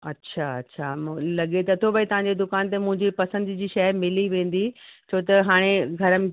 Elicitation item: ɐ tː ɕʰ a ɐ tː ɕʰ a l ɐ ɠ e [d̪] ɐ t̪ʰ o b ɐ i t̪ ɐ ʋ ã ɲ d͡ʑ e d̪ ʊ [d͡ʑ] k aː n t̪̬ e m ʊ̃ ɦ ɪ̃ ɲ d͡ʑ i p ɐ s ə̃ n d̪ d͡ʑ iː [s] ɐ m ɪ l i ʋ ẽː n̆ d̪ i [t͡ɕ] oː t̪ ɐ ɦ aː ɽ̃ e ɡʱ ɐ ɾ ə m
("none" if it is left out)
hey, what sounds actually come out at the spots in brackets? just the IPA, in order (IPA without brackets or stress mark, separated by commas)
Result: t̪, none, ʃ, t͡ɕʰ